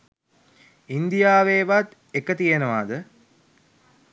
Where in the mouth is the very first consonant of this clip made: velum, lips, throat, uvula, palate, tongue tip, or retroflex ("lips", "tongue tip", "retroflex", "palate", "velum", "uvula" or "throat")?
tongue tip